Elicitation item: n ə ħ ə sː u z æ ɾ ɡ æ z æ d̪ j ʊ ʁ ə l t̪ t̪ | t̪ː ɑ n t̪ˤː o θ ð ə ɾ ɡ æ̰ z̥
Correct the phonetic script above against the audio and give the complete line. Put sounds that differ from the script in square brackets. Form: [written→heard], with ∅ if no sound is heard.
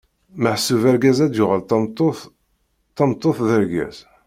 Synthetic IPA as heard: [n→m] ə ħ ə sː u [z→v] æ ɾ ɡ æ z æ d̪ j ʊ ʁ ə l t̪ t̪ | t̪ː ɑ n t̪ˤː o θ ð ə ɾ ɡ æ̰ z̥

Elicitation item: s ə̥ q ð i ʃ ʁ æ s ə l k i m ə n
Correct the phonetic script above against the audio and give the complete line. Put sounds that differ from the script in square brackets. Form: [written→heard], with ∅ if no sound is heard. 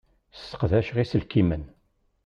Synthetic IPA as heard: s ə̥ q ð [i→æ] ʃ ʁ [æ→i] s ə l k i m ə n

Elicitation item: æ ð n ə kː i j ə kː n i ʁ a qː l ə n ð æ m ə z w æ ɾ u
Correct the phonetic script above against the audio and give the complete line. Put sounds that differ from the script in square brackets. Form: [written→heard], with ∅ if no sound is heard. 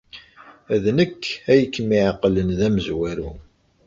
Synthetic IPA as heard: æ ð n ə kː [i→æ] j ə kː [n→m] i [ʁ→ʕ] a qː l ə n ð æ m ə z w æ ɾ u

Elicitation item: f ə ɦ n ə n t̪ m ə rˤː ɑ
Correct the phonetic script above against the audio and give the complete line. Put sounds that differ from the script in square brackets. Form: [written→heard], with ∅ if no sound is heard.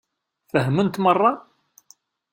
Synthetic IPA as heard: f ə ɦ [n→m] ə n t̪ m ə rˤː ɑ

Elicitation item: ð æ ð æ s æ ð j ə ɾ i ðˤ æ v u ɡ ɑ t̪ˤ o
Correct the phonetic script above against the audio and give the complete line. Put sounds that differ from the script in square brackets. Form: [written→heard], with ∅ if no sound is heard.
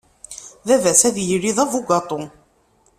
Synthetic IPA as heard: ð æ [ð→v] æ s æ ð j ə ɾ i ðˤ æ v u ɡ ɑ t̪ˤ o

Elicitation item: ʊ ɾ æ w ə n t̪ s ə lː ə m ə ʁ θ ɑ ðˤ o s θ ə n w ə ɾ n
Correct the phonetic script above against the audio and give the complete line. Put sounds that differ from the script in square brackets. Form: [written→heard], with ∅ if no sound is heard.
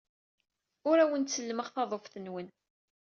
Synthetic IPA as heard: ʊ ɾ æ w ə n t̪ s ə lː ə m ə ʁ θ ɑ ðˤ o [s→f] θ ə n w ə [ɾ→∅] n

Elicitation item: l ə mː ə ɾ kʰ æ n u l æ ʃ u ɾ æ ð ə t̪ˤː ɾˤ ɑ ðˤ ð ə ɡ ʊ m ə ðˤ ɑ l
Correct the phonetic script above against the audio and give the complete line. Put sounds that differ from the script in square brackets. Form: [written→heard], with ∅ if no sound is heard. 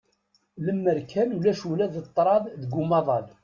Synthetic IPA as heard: l ə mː ə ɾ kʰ æ n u l æ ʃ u [ɾ→l] æ ð ə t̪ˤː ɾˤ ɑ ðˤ ð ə ɡ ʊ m [ə→ɑ] ðˤ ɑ l

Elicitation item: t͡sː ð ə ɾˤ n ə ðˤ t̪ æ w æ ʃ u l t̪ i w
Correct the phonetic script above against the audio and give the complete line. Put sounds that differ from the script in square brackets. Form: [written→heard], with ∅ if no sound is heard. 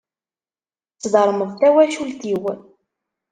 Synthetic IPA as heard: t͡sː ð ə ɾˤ [n→m] ə ðˤ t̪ æ w æ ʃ u l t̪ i w

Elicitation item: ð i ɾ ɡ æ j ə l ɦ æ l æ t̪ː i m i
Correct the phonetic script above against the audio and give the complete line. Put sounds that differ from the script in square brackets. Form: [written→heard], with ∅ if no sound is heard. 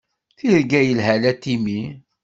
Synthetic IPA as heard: [ð→θ] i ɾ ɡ æ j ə l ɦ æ l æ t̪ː i m i

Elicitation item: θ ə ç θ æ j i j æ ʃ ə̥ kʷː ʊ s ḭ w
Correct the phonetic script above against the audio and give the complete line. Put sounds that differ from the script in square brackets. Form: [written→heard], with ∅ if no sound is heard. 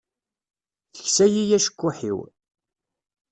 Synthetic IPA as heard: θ ə ç [θ→s] æ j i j æ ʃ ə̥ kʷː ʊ [s→ħ] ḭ w

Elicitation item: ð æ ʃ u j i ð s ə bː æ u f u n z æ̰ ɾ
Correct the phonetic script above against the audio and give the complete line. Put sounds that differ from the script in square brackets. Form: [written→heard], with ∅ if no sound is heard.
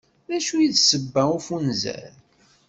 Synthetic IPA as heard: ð æ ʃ u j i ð s ə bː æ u f u n z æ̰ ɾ

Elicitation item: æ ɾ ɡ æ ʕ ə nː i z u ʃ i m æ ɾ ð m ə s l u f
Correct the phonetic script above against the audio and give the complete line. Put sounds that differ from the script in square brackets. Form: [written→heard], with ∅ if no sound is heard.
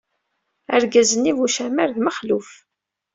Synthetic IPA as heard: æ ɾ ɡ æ [ʕ→z] ə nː i [z→v] u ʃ [i→æ] m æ ɾ ð m ə [s→χ] l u f

